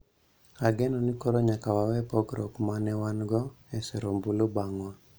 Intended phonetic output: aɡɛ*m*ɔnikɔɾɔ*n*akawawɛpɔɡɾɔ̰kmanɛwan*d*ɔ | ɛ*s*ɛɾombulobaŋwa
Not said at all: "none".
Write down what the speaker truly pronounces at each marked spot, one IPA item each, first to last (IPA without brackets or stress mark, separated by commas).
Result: n, ɲ, ɡ, s